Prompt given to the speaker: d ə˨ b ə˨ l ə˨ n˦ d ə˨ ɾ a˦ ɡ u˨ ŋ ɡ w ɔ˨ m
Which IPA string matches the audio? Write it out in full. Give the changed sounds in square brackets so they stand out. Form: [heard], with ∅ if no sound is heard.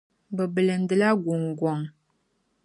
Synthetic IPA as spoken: [b] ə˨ b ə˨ l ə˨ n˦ d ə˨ [l] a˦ ɡ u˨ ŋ ɡ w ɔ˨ [ŋ]

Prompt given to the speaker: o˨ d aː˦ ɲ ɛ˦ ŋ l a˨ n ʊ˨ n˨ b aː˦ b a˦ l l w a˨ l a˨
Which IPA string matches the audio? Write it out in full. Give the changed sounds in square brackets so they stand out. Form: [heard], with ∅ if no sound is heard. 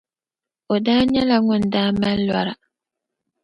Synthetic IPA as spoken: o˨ d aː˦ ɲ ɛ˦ [∅] l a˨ [ŋ] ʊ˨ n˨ [d] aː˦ [m] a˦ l l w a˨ [ɾ] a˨

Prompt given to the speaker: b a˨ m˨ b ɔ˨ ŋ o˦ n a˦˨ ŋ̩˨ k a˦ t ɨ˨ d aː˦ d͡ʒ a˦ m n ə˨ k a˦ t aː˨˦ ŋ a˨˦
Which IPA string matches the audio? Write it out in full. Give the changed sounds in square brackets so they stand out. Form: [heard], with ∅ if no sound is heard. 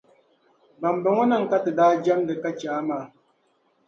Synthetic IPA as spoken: b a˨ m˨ b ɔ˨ ŋ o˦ n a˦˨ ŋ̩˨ k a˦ t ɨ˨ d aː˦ d͡ʒ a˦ m [d] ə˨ k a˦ [t͡ʃ] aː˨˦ [m] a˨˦

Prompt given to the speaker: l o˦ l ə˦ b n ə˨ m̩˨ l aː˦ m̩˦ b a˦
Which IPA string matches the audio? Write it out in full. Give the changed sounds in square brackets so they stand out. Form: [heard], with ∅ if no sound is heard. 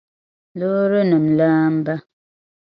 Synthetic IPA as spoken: l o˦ [ɾ] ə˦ [∅] n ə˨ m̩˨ l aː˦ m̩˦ b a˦

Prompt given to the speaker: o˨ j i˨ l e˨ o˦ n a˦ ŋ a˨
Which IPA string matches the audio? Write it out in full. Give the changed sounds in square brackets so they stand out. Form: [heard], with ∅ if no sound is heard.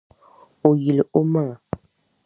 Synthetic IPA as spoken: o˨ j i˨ l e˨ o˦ [m] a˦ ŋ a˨

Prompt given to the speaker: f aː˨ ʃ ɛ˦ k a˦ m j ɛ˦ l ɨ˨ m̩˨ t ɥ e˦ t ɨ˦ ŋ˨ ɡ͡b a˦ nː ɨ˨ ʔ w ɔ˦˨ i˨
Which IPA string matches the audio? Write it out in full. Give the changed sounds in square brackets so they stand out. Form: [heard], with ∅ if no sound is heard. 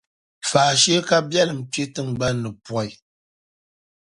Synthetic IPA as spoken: f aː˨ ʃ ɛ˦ k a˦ [b] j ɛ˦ l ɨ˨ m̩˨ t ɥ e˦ t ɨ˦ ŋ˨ ɡ͡b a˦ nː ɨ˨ [p] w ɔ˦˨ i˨

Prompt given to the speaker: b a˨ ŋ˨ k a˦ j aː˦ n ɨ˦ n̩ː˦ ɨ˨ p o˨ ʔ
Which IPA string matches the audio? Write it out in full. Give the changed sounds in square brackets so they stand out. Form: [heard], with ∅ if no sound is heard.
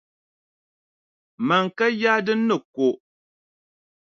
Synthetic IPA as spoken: [m] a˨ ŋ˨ k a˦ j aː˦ [d] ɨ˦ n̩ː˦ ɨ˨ [k] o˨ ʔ

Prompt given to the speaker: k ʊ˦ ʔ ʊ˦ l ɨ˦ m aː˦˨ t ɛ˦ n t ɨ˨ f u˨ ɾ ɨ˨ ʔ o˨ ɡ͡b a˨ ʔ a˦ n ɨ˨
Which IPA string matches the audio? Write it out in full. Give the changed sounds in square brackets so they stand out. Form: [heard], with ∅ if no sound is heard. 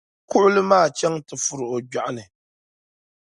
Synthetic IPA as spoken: k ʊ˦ ʔ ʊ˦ l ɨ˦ m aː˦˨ [t͡ʃ] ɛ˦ [ŋ] t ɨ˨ f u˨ ɾ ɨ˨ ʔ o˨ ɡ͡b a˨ ʔ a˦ n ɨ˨

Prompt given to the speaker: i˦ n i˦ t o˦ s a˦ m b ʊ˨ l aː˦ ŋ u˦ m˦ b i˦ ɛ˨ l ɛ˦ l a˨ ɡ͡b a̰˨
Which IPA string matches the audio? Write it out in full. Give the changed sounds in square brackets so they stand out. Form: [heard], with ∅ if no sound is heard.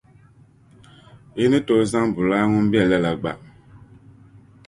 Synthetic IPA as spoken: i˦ n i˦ t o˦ [z] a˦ [ŋ] b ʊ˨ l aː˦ ŋ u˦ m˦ b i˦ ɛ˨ l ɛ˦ l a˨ ɡ͡b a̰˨

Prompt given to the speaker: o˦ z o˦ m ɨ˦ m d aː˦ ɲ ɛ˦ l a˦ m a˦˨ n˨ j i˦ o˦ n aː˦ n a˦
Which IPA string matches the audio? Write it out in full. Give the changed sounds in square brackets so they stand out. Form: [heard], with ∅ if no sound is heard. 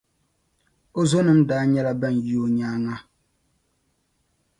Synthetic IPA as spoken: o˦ z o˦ [n] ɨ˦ m d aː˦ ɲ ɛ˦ l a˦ [b] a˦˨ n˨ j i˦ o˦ [ɲ] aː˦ [ŋ] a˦

